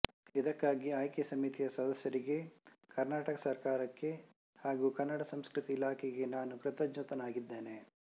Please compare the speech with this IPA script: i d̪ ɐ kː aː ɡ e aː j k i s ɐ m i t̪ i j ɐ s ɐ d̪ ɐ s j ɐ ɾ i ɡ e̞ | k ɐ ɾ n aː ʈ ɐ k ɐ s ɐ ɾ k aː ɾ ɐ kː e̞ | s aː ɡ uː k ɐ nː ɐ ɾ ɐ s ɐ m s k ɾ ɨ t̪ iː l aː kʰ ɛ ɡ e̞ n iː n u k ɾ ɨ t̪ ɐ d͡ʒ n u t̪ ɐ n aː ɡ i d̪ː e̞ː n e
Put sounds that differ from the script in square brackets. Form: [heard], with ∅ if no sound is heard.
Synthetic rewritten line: i d̪ ɐ kː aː ɡ [i] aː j k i s ɐ m i t̪ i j ɐ s ɐ d̪ ɐ s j ɐ ɾ i ɡ e̞ | k ɐ ɾ n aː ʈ ɐ k ɐ s ɐ ɾ k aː ɾ ɐ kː e̞ | [h] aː ɡ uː k ɐ nː ɐ [ɽ] ɐ s ɐ m s k ɾ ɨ t̪ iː l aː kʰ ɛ ɡ e̞ n [aː] n u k ɾ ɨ t̪ ɐ d͡ʒ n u t̪ ɐ n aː ɡ i d̪ː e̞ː n e

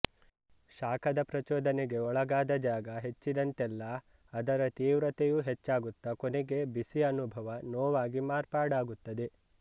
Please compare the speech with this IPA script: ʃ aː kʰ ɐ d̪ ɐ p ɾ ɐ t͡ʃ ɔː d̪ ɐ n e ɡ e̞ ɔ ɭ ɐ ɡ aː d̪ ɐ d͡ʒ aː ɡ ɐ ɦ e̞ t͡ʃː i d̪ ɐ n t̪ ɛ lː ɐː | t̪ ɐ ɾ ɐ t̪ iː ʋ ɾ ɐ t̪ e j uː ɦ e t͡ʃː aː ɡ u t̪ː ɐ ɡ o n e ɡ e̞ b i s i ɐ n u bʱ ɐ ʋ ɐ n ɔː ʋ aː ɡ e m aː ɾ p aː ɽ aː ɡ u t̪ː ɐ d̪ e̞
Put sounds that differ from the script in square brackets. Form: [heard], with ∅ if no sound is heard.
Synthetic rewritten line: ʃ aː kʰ ɐ d̪ ɐ p ɾ ɐ t͡ʃ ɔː d̪ ɐ n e ɡ e̞ ɔ ɭ ɐ ɡ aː d̪ ɐ d͡ʒ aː ɡ ɐ ɦ e̞ t͡ʃː i d̪ ɐ n t̪ ɛ lː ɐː | [d̪] ɐ ɾ ɐ t̪ iː ʋ ɾ ɐ t̪ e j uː ɦ e t͡ʃː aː ɡ u t̪ː ɐ [k] o n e ɡ e̞ b i s i ɐ n u bʱ ɐ ʋ ɐ n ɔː ʋ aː ɡ [i] m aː ɾ p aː ɽ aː ɡ u t̪ː ɐ d̪ e̞

